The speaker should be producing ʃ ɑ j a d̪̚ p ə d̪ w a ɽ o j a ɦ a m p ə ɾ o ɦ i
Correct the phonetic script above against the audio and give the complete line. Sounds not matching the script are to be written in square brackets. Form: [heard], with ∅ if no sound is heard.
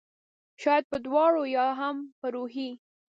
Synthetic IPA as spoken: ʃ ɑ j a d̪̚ p ə d̪ w [ɑ] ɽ o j [ɑ] ɦ a m p ə ɾ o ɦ i